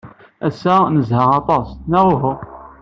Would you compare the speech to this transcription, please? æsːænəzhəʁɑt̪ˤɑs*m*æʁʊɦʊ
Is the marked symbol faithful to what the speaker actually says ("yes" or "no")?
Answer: no